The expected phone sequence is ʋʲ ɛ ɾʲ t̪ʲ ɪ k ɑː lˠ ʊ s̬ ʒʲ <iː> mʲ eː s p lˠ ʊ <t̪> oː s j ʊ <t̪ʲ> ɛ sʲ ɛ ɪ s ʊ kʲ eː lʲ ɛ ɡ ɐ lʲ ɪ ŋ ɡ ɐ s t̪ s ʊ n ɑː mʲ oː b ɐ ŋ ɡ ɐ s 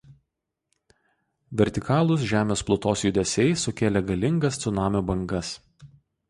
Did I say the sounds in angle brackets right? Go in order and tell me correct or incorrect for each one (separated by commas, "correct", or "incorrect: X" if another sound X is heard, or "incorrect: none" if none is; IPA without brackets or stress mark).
incorrect: æː, correct, incorrect: d̪ʲ